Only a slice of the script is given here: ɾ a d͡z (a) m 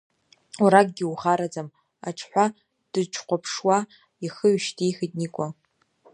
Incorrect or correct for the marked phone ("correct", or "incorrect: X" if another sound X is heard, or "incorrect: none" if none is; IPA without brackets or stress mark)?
correct